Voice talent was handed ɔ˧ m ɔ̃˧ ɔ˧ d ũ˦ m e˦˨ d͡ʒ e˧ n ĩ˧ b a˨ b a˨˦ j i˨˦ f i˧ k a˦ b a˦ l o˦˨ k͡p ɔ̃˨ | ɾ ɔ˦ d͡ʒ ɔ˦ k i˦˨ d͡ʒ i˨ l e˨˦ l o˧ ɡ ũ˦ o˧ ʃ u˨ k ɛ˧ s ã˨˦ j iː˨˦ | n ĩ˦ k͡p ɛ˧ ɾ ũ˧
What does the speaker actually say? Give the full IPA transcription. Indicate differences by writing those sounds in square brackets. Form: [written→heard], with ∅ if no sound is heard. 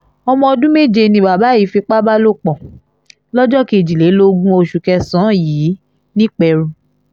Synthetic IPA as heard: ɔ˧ m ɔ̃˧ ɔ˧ d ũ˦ m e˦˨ d͡ʒ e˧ n ĩ˧ b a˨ b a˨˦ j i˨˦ f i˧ [k→k͡p] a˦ b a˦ l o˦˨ k͡p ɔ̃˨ | [ɾ→l] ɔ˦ d͡ʒ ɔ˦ k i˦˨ d͡ʒ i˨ l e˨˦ l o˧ ɡ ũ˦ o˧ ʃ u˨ k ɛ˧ s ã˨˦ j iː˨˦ | n ĩ˦ k͡p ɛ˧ ɾ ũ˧